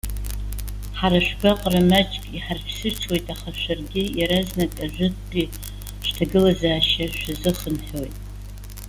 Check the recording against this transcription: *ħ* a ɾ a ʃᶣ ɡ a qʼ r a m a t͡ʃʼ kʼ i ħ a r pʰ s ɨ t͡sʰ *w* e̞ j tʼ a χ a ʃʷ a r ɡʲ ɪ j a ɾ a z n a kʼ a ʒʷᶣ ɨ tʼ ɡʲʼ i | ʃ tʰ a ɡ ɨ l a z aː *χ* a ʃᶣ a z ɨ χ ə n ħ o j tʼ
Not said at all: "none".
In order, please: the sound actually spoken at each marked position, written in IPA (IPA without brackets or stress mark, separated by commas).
ħ, w, ʃ